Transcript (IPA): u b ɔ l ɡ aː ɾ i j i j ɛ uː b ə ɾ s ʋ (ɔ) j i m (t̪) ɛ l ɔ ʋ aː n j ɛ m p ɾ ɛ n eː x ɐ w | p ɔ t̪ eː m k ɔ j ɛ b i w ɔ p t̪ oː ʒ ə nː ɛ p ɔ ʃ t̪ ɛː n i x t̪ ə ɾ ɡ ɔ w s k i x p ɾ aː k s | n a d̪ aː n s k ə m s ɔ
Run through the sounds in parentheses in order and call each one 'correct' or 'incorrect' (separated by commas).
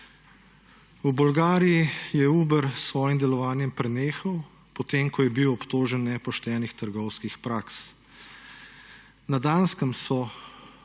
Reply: incorrect, incorrect